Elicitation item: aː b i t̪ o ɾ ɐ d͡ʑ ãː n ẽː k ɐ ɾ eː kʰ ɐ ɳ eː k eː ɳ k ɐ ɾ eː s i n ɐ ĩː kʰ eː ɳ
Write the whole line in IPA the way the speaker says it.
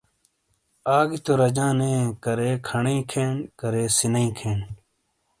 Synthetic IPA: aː ɡ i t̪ o ɾ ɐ d͡ʑ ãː n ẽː k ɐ ɾ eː kʰ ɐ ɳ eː kʰ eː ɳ k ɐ ɾ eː s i n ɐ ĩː kʰ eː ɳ